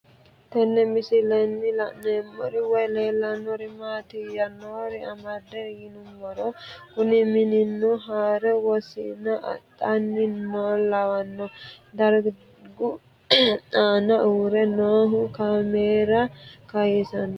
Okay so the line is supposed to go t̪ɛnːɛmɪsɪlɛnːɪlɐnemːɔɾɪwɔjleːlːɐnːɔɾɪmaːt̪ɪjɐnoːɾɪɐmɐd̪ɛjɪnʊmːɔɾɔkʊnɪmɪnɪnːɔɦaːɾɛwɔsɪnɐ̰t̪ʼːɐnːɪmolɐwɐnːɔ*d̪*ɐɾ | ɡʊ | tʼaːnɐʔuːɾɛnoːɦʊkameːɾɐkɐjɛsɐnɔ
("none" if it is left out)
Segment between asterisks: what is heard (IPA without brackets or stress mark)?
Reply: d̪